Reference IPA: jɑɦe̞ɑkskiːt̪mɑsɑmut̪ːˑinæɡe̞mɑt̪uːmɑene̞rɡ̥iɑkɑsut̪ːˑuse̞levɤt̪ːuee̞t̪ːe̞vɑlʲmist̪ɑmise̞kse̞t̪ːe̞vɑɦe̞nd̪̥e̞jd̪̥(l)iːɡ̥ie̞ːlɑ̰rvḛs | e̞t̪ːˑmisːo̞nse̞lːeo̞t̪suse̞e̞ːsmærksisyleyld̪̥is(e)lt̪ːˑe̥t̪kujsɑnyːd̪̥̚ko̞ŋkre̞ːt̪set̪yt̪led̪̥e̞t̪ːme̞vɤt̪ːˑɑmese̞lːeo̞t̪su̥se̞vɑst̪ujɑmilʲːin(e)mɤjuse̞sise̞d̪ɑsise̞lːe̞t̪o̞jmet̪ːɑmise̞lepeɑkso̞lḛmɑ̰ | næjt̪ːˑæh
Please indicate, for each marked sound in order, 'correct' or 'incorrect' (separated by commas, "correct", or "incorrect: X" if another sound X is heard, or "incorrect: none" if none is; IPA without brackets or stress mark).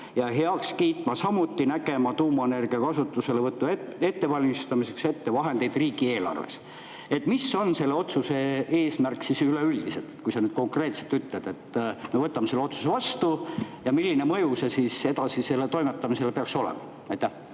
incorrect: r, correct, correct